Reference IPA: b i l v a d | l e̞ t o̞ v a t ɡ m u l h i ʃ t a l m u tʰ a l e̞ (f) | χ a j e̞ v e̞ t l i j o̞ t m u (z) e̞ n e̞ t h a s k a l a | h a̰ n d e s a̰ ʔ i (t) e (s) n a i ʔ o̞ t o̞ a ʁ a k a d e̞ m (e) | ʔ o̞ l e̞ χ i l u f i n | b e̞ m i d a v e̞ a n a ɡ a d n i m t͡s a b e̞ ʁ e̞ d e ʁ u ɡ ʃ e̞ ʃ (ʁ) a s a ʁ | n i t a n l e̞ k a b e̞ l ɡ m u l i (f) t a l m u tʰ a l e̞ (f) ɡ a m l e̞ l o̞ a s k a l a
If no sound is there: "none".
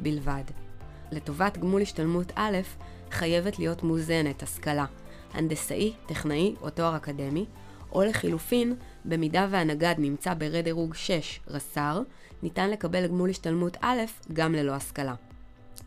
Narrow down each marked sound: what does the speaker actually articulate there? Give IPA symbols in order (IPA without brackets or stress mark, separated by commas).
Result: f, z, t, χ, i, ʁ, ʃ, f